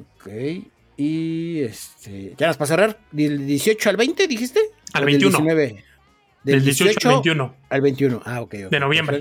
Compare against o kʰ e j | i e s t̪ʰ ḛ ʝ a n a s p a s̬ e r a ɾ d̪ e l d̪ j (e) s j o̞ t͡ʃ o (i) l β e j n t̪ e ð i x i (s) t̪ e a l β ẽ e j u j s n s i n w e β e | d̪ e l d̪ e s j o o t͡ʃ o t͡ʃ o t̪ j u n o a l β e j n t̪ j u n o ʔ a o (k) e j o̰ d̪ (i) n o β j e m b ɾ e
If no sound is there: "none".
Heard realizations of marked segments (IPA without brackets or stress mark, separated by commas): e, a, s, k, e